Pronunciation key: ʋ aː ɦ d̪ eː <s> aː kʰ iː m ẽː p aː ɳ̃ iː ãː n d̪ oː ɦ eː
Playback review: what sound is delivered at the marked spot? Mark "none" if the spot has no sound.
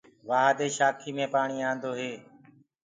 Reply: ʃ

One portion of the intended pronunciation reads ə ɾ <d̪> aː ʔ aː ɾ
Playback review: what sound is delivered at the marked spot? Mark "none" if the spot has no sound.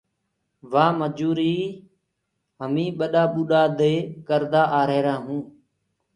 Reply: d̪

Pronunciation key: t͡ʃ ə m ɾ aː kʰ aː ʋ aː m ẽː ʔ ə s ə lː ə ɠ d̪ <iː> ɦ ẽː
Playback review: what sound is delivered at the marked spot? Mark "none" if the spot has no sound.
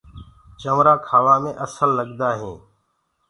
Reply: aː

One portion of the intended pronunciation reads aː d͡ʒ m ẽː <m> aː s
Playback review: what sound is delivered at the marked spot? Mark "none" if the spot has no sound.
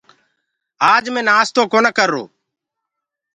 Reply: n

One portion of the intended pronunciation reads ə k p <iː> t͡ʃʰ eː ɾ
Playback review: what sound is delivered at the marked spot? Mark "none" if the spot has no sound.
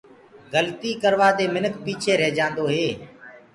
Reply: iː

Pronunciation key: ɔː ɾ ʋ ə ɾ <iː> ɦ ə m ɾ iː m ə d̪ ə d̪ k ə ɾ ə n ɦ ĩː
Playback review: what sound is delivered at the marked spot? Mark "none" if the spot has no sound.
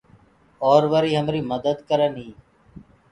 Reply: iː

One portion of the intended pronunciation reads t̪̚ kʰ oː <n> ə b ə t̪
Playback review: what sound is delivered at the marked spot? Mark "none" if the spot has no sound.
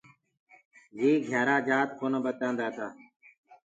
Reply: n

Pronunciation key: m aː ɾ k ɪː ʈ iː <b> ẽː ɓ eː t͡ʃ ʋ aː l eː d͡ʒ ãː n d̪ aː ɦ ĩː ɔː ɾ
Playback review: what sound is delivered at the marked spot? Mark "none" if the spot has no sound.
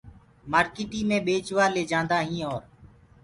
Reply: m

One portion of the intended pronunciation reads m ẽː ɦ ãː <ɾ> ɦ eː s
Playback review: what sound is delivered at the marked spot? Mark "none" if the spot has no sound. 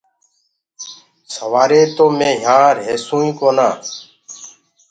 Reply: ɾ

